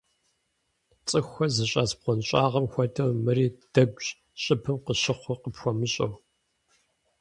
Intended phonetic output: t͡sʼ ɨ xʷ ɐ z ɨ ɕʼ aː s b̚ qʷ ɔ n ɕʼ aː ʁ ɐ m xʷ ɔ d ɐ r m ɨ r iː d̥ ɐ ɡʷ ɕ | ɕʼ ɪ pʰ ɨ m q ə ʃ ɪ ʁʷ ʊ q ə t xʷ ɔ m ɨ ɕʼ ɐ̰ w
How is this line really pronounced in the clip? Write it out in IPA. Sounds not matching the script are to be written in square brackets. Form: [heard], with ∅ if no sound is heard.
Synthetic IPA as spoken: t͡sʼ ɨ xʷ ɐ z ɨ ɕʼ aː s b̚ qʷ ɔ n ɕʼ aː ʁ ɐ m xʷ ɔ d ɐ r m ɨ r iː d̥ ɐ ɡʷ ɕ | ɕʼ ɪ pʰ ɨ m q ə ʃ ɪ [χʷ] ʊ q ə [p] xʷ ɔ m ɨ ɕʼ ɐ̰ w